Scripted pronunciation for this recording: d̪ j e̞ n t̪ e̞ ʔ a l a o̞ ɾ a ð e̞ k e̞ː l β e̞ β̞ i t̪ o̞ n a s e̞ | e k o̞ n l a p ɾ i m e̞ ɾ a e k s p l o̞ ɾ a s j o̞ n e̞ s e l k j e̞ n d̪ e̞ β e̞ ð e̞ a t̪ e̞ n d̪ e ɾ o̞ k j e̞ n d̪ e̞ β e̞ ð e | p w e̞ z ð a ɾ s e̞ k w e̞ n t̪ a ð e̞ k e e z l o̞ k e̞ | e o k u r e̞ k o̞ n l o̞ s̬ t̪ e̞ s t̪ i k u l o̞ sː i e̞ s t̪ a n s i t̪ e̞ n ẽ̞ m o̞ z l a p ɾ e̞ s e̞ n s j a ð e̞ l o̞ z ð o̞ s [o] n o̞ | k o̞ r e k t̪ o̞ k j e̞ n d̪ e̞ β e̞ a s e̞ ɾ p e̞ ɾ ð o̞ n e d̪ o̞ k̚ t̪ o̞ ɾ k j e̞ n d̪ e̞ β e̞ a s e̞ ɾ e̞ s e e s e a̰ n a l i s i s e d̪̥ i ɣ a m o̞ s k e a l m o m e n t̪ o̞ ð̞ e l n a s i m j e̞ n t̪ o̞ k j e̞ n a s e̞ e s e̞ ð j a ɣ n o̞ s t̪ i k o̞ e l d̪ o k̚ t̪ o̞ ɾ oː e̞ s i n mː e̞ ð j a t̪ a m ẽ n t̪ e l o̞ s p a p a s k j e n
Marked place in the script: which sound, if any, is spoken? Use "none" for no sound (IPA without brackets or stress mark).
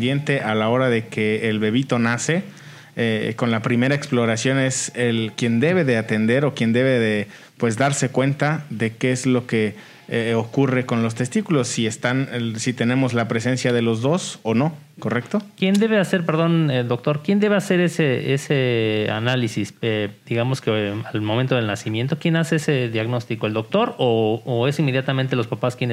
o